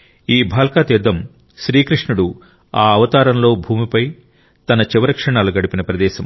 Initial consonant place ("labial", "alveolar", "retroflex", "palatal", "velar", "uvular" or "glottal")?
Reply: labial